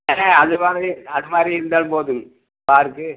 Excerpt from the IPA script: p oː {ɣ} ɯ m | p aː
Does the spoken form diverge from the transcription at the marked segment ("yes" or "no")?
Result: yes